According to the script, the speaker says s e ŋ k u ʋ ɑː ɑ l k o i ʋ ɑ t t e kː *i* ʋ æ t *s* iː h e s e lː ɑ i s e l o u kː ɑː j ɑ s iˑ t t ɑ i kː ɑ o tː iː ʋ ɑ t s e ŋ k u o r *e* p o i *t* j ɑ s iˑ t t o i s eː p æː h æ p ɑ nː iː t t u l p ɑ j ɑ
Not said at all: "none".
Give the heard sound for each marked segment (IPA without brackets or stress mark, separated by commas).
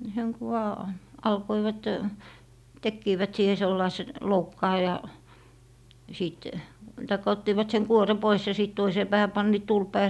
iː, s, e, s